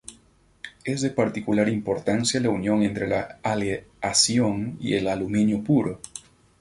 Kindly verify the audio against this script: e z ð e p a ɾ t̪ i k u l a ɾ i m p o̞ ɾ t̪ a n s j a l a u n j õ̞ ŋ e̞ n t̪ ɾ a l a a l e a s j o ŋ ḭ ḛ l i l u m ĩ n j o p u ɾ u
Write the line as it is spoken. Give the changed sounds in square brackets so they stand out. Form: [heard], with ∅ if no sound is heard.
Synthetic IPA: e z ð e p a ɾ t̪ i k u l a ɾ i m p o̞ ɾ t̪ a n s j a l a u n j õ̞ ŋ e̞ n t̪ ɾ [e] l a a l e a s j o ŋ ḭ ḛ l [a] l u m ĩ n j o p u ɾ [o]